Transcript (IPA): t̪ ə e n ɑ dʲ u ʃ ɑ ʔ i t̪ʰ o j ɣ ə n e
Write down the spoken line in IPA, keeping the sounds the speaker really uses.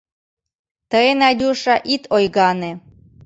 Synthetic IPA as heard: t̪ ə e n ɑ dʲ u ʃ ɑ ʔ i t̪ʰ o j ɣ ɑ n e